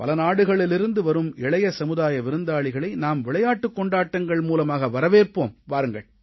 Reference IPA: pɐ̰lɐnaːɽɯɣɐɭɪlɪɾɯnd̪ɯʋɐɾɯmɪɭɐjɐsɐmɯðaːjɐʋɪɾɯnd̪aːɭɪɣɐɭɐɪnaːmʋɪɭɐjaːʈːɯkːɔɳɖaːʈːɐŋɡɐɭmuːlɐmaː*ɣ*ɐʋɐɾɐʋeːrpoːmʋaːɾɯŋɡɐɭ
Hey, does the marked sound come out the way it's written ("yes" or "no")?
yes